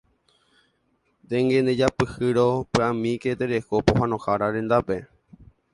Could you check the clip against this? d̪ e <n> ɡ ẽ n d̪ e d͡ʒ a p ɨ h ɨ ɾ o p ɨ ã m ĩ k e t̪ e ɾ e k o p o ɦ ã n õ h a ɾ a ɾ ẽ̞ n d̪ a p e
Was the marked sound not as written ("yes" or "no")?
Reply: yes